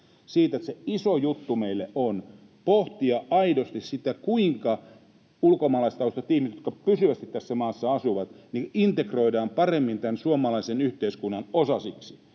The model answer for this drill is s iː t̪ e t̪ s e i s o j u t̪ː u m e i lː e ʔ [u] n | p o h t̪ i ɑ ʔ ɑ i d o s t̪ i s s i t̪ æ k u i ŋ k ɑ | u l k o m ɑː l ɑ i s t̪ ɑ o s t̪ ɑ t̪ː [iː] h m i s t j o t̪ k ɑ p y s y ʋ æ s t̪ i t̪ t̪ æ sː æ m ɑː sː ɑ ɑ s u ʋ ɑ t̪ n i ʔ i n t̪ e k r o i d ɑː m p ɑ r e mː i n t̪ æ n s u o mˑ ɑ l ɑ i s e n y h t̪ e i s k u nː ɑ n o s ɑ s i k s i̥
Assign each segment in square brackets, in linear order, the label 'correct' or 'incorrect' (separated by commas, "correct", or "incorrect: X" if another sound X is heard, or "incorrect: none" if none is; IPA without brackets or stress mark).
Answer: incorrect: o, incorrect: i